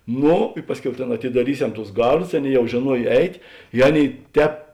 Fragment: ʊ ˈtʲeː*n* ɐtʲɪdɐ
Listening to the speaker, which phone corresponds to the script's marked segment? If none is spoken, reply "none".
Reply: n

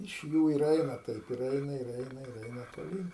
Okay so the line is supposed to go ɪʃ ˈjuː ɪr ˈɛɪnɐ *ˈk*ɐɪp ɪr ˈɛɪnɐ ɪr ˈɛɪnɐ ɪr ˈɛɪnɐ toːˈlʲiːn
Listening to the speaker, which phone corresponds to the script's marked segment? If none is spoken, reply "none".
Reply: t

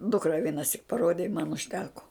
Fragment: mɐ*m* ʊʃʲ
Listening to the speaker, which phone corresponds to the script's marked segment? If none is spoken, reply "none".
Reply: n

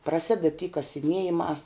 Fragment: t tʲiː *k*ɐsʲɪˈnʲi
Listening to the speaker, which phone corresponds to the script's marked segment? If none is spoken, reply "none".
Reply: k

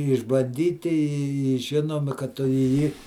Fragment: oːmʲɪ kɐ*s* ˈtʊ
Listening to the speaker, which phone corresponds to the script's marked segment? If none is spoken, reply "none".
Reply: t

